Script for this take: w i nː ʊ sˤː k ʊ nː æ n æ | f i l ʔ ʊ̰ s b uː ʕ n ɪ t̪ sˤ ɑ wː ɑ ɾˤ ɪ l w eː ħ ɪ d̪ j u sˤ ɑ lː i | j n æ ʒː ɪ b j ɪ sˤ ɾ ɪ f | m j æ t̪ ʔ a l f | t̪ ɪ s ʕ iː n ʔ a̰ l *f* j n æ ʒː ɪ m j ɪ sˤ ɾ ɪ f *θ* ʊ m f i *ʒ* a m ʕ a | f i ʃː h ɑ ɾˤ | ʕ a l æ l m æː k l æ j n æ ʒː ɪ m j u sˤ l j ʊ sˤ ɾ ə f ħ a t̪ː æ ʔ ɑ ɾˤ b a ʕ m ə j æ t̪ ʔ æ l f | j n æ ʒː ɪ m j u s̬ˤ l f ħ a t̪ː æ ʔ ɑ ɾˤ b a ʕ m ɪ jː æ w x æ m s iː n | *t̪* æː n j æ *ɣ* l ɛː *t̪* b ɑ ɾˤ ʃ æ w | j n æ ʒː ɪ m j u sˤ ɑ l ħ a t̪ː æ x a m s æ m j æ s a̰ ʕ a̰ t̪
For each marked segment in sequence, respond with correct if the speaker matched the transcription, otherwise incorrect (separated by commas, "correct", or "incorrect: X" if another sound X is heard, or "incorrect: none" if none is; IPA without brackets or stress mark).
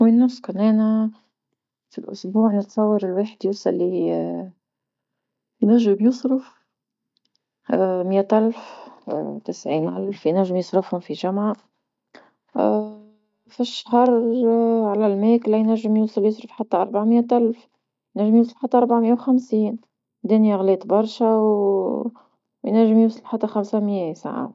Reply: correct, incorrect: h, correct, incorrect: d̪, correct, correct